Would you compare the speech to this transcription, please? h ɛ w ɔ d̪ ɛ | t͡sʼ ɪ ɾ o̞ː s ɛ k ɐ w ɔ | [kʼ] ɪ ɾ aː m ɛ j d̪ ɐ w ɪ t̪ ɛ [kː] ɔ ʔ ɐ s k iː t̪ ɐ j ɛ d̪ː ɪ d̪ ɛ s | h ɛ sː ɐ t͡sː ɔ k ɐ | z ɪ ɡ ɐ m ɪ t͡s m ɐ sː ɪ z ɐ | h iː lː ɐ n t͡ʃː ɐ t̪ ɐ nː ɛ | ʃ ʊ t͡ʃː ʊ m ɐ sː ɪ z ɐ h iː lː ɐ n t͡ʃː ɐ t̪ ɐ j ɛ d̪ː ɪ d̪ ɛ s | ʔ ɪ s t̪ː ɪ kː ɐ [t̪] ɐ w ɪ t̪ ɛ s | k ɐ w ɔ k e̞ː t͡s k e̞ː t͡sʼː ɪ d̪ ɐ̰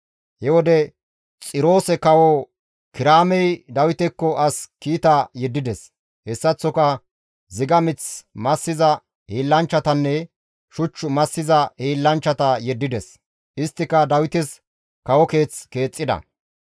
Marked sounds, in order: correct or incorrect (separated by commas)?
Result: incorrect, correct, incorrect